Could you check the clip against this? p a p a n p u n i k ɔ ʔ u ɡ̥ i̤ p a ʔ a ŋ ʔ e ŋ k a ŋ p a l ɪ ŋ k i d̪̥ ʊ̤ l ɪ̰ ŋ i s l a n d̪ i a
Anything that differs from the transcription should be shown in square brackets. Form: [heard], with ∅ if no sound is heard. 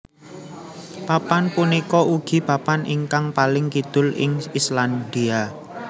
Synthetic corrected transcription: p a p a n p u n i k ɔ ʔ u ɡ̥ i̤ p a [p] a [n] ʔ [i] ŋ k a ŋ p a l ɪ ŋ k i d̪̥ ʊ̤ l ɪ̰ ŋ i s l a n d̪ i a

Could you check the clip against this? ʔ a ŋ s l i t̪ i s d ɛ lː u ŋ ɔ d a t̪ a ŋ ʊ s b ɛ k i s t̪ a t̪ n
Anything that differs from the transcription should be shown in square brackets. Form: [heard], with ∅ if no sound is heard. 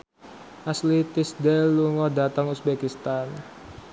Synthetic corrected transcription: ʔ a [∅] s l i t̪ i s d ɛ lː u ŋ ɔ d a t̪ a ŋ [u] s b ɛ k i s t̪ a [∅] n

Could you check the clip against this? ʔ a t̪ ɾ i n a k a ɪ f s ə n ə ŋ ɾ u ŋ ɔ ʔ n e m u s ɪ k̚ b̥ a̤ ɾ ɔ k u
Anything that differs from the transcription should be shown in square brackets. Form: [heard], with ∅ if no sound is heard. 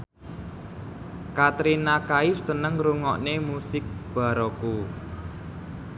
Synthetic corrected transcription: [k] a t̪ ɾ i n a k a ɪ f s ə n ə ŋ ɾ u ŋ ɔ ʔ n e m u s ɪ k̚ b̥ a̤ ɾ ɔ k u

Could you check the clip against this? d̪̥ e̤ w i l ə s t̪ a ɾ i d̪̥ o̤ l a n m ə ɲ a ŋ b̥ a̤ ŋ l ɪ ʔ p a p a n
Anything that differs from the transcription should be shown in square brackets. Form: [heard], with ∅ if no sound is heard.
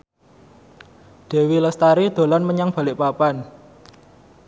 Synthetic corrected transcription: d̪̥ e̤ w i l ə s t̪ a ɾ i d̪̥ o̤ l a n m ə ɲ a ŋ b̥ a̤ [∅] l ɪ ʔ p a p a n

